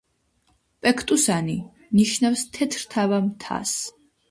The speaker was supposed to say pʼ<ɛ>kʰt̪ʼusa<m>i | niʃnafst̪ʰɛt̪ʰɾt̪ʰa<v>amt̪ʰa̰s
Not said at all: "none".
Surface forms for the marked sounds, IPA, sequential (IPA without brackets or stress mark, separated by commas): ɛ, n, v